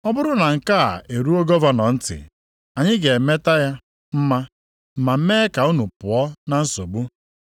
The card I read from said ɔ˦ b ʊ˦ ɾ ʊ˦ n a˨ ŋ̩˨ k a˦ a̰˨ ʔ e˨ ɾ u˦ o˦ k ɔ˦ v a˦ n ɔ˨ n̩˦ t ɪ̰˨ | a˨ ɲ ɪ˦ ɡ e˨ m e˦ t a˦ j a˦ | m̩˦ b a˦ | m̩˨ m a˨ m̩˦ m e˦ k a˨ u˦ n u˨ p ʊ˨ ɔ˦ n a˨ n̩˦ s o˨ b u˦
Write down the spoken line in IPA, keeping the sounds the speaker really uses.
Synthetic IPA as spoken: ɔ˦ b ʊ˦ ɾ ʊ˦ n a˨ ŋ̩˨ k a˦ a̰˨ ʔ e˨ ɾ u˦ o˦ ɡ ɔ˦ v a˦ n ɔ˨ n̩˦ t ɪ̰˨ | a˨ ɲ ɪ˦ ɡ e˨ m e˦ t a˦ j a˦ | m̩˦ m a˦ | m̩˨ m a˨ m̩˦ m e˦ k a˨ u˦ n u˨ p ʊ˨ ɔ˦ n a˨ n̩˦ s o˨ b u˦